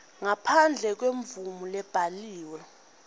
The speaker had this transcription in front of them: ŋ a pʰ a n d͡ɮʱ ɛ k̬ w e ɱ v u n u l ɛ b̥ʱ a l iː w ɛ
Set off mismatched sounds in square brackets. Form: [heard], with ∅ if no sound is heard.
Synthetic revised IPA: ŋ a pʰ a n d͡ɮʱ ɛ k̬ w e ɱ v u [m] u l ɛ b̥ʱ a l iː w ɛ